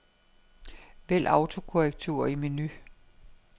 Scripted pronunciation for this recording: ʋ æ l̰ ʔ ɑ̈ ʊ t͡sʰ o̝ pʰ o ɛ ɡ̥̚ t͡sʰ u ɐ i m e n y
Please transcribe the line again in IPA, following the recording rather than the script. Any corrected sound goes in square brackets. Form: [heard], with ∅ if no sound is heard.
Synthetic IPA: ʋ [e] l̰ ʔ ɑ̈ ʊ t͡sʰ o̝ [kʰ] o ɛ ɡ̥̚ t͡sʰ u ɐ i m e n y